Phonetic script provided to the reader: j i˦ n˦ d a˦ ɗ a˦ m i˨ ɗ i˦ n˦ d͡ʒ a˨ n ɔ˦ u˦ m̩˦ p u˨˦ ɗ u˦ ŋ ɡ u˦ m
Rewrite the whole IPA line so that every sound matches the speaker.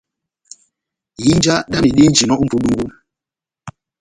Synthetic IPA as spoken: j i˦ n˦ d͡ʒ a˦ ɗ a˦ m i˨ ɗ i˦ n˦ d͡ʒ i˨ n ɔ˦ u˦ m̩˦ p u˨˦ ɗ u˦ ŋ ɡ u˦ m